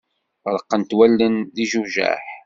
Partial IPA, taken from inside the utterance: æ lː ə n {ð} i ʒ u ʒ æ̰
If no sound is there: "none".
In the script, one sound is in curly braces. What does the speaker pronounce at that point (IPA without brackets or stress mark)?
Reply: ð